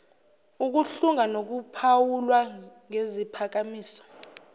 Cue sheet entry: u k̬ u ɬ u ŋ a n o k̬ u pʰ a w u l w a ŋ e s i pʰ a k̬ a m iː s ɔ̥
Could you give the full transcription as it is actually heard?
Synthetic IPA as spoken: u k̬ u ɬ u ŋ a n o k̬ u pʰ a w u l w a ŋ e z i pʰ a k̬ a m iː s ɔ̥